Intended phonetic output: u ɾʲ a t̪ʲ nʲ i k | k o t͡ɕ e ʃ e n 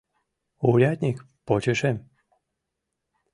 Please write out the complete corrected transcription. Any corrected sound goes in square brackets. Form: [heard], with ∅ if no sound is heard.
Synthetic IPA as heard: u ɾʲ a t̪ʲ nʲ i k | [p] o t͡ɕ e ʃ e [m]